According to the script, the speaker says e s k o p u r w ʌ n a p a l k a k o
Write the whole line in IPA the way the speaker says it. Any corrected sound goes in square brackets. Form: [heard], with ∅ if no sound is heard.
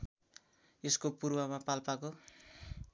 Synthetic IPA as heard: e s k o p u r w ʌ [m] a p a l [p] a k o